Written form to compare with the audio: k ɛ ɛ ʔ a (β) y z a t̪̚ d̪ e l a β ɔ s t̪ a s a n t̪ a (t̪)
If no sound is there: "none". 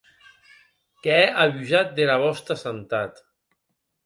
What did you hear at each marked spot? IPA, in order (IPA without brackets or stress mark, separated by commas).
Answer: β, t̪